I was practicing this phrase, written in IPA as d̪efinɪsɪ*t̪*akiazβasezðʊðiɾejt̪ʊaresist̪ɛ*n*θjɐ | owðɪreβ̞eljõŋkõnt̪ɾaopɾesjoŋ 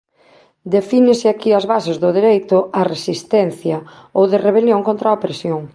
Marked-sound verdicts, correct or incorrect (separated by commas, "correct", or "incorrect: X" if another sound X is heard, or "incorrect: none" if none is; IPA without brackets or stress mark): incorrect: none, correct